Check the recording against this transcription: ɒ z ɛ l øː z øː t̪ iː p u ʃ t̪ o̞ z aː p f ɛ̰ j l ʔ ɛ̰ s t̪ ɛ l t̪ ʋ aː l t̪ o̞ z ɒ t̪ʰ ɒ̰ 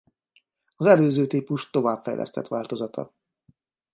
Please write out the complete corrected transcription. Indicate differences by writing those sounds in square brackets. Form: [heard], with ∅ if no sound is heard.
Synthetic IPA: ɒ z ɛ l øː z øː t̪ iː p u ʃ t̪ o̞ [v] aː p f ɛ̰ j l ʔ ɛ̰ s t̪ ɛ [∅] t̪ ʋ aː l t̪ o̞ z ɒ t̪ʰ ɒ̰

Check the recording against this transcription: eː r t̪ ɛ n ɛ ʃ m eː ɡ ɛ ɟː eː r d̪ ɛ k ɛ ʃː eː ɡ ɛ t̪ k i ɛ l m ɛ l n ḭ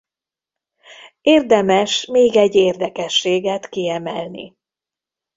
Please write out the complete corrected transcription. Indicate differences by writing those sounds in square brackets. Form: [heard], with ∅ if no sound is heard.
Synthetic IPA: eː r [d̪] ɛ [m] ɛ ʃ m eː ɡ ɛ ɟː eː r d̪ ɛ k ɛ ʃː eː ɡ ɛ t̪ k i ɛ [∅] m ɛ l n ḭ

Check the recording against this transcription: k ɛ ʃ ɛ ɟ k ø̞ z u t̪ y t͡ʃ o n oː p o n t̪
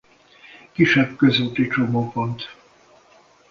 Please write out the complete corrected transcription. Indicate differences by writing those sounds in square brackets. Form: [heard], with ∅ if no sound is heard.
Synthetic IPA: k [i] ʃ ɛ [b] k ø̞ z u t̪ [i] t͡ʃ o [m] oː p o n t̪

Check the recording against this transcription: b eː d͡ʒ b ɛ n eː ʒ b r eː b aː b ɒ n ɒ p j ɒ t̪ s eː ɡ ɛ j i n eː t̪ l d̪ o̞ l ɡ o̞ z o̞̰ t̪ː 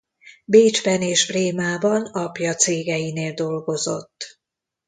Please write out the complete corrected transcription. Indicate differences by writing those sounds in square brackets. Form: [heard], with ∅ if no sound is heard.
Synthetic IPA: b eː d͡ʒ b ɛ n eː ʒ b r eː [m] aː b ɒ n ɒ p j ɒ t̪ s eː ɡ ɛ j i n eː [∅] l d̪ o̞ l ɡ o̞ z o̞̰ t̪ː

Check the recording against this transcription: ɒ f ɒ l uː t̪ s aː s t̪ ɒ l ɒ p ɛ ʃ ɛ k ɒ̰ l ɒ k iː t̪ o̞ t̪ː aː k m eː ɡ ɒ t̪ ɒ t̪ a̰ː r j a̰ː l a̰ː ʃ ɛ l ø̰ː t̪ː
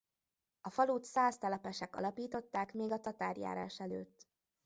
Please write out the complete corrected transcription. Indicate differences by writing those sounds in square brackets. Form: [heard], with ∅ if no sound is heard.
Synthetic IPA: ɒ f ɒ l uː t̪ s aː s t̪ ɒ l ɒ p ɛ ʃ ɛ k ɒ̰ l ɒ [p] iː t̪ o̞ t̪ː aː k m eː ɡ ɒ t̪ ɒ t̪ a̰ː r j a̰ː [ɾ] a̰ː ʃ ɛ l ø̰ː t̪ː

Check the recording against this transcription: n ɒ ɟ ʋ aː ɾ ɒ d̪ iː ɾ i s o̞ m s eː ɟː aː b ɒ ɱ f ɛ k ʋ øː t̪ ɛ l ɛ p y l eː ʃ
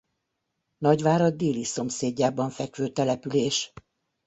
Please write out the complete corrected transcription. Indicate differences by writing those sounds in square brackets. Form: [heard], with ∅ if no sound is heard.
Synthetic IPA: n ɒ ɟ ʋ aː ɾ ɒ d̪ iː [l] i s o̞ m s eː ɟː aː b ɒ ɱ f ɛ k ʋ øː t̪ ɛ l ɛ p y l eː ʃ

